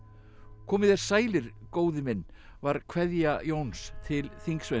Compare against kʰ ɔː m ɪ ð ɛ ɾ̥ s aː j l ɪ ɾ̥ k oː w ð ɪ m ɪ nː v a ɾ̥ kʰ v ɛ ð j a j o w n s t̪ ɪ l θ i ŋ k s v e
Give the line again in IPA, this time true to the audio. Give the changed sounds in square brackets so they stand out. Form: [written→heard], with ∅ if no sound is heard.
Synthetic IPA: kʰ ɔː m ɪ ð ɛ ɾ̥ s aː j l ɪ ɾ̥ k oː w ð ɪ m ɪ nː v a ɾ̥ kʰ v ɛ ð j a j o w n s [t̪→t̪ʰ] ɪ l θ i ŋ k s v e